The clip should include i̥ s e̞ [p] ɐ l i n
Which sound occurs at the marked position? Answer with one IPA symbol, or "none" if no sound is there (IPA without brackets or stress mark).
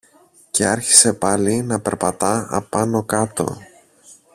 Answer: p